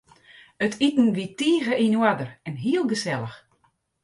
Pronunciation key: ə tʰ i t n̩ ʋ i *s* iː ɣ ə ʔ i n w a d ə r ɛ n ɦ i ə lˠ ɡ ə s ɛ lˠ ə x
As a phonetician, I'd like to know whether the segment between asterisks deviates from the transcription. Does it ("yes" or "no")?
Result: yes